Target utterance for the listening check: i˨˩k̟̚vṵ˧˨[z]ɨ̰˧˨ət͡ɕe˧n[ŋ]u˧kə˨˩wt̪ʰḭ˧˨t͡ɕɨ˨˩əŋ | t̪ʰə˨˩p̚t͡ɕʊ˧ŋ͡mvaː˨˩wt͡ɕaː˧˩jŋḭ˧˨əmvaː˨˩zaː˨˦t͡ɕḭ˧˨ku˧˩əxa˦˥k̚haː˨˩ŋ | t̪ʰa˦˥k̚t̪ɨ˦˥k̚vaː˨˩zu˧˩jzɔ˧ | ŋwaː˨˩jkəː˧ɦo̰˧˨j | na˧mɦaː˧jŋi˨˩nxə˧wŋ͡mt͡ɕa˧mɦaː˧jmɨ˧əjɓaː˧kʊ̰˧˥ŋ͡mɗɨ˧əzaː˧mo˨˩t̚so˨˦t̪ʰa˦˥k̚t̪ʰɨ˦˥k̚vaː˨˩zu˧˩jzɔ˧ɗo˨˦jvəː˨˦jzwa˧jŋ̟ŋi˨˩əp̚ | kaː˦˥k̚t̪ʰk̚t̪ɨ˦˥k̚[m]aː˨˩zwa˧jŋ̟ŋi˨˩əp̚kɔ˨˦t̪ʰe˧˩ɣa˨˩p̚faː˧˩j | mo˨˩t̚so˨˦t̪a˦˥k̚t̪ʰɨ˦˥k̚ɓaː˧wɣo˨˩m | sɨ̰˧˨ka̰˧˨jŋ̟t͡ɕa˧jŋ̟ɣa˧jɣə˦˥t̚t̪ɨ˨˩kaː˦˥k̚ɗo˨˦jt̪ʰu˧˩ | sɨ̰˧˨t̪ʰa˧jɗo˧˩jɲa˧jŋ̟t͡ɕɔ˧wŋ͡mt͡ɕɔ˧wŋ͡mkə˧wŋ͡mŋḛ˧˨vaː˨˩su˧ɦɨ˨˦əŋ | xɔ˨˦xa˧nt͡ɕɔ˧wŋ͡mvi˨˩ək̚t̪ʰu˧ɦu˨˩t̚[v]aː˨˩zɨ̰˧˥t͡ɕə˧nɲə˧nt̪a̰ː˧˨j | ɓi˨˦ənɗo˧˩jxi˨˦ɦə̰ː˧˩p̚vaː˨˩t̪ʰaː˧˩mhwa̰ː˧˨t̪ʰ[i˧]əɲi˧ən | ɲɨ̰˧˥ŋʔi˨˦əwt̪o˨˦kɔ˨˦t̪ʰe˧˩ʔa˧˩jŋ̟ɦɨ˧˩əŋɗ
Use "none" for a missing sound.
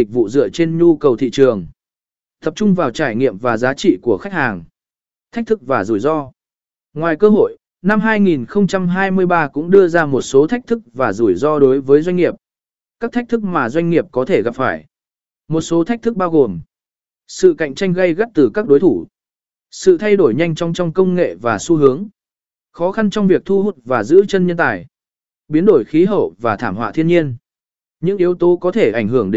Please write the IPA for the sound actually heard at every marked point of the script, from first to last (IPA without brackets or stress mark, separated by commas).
z, ɲ, m, v, i˧